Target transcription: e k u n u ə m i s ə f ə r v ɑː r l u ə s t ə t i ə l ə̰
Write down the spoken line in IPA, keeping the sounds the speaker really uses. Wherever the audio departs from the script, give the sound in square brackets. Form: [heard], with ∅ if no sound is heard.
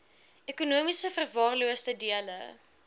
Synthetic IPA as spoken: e k u n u ə m i s ə f ə r v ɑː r l u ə s t ə [d] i ə l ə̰